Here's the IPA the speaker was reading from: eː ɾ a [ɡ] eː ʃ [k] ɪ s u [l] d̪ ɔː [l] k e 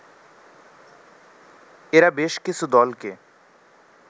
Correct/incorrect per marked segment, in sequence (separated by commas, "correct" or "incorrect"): incorrect, correct, incorrect, correct